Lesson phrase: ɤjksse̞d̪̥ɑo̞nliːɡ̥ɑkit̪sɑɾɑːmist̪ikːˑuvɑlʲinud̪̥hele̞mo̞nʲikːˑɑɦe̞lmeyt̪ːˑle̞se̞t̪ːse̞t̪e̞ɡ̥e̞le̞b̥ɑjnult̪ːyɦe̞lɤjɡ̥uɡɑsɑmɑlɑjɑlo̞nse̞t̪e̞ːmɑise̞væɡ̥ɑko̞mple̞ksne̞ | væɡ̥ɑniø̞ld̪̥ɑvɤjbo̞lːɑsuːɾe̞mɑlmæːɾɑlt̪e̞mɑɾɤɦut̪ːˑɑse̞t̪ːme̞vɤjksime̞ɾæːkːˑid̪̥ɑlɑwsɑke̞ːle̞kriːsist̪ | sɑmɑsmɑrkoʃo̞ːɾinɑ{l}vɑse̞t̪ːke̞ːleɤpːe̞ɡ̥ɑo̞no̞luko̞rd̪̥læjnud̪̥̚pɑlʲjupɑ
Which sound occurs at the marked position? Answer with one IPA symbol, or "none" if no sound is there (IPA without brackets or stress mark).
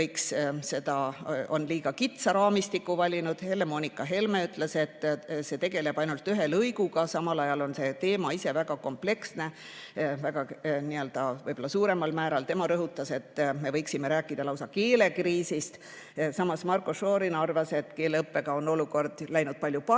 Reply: r